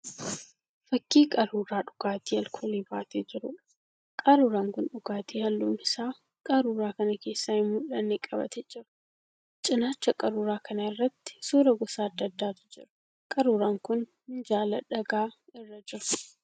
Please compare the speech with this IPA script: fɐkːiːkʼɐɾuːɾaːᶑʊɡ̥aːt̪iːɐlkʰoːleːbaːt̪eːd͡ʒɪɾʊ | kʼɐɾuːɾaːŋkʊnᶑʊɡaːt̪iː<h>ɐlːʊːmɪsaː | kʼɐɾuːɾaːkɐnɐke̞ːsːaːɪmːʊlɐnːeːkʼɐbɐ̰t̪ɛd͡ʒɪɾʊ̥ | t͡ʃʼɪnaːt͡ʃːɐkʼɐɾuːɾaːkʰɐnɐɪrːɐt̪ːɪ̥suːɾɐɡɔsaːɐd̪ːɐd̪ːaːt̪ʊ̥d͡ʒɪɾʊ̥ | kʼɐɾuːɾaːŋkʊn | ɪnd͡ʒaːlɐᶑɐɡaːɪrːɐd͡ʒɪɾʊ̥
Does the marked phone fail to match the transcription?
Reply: no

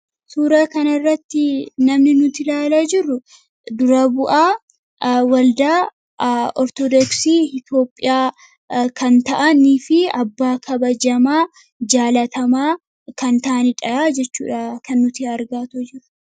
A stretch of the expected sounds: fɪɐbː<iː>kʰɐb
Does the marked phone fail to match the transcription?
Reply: yes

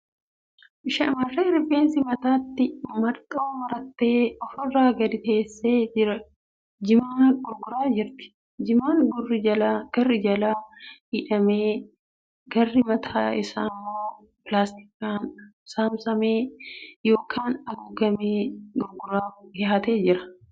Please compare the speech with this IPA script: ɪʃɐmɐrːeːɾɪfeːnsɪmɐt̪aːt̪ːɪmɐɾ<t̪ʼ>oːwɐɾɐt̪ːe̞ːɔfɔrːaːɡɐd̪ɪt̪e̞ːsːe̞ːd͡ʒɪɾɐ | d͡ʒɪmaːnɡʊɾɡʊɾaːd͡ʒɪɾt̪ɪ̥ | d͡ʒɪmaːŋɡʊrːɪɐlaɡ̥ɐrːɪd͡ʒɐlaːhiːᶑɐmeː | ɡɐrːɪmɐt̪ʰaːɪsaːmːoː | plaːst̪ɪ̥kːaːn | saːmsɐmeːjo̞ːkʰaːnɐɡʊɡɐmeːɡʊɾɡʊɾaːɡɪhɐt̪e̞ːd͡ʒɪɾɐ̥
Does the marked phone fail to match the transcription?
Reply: no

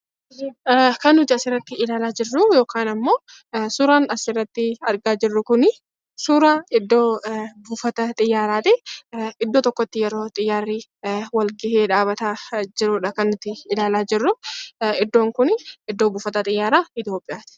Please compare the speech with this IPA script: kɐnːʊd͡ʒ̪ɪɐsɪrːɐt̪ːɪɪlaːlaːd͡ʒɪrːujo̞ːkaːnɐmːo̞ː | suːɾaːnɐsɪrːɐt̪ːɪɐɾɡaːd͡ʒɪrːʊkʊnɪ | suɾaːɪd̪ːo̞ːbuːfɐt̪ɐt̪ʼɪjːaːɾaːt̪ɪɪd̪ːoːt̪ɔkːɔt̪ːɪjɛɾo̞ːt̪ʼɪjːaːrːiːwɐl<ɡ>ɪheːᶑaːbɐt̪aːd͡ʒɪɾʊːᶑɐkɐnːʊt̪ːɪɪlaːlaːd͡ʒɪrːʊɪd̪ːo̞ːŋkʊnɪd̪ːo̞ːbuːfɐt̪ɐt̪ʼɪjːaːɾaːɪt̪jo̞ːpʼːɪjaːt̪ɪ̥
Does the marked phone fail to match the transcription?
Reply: no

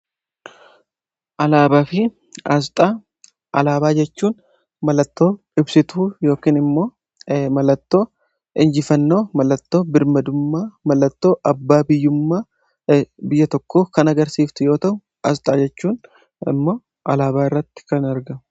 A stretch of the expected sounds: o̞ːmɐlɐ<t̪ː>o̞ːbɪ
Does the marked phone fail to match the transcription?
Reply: no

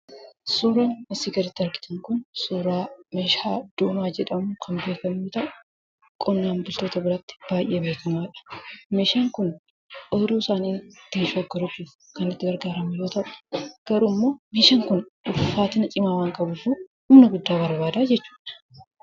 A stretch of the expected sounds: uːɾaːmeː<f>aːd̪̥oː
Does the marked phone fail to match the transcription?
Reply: yes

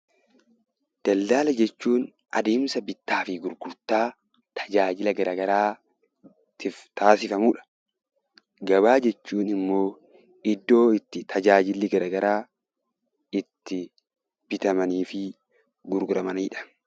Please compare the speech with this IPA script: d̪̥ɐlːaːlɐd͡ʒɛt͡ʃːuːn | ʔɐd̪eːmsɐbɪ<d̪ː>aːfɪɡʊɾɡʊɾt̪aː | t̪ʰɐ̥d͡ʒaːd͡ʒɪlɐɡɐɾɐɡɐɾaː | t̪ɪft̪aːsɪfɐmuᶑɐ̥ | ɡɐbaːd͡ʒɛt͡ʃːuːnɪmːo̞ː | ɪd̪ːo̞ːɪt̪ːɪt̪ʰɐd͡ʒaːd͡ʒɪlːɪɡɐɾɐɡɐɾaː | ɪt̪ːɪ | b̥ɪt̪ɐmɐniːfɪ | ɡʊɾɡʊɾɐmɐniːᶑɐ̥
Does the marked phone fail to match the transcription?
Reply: yes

